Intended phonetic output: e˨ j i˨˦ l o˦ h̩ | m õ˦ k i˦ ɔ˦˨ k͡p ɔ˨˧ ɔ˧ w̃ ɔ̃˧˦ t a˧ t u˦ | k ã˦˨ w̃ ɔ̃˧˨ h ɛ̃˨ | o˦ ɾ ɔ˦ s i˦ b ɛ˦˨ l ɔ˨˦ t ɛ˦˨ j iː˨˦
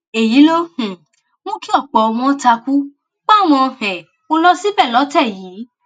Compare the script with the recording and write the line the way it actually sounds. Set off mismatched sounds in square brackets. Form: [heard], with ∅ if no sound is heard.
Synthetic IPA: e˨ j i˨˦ l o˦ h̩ | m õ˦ k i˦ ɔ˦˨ k͡p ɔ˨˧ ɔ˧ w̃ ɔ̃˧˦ t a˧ [k] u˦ | [k͡p] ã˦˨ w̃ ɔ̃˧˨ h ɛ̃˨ | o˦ [l] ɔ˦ s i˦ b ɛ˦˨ l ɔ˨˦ t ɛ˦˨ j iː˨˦